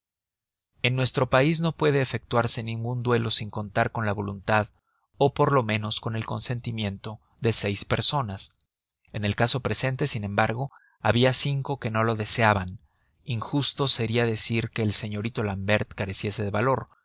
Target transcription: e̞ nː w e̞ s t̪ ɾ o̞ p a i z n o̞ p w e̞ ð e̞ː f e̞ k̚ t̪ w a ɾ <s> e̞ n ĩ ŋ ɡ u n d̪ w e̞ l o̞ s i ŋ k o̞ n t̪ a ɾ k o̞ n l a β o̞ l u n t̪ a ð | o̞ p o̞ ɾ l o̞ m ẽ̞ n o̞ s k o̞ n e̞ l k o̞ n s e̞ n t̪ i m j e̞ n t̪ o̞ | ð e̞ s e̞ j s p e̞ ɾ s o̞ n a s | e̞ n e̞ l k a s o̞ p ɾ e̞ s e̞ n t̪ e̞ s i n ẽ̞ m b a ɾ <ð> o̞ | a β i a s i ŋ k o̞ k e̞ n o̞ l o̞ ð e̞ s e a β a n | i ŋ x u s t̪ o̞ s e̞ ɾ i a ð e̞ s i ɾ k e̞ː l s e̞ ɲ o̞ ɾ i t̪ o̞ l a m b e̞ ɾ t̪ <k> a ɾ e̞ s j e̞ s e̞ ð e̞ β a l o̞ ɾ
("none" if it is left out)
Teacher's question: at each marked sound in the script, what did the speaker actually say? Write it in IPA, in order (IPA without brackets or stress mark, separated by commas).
s, ɣ, k